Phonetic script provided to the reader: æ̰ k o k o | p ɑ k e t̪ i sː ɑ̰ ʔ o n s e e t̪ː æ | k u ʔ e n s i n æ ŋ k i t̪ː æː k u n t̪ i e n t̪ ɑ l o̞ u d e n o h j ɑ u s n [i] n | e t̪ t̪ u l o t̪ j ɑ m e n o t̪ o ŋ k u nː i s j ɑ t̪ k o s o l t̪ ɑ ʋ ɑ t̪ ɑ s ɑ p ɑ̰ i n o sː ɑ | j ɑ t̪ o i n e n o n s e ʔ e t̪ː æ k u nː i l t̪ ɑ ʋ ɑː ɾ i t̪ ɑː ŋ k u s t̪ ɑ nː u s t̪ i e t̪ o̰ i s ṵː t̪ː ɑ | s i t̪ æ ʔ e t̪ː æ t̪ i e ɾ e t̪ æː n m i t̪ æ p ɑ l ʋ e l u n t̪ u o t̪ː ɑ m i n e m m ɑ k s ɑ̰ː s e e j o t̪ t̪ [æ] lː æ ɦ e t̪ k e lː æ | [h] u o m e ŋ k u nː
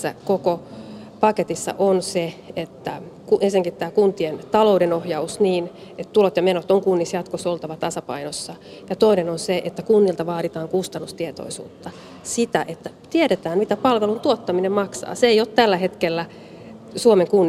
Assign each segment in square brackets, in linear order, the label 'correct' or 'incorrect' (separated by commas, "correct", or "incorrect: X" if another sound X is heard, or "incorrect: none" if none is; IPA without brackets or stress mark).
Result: incorrect: iː, correct, incorrect: s